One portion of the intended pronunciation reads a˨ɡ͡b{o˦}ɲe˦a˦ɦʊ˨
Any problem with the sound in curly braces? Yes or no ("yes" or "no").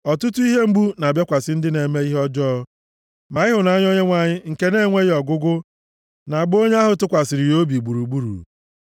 no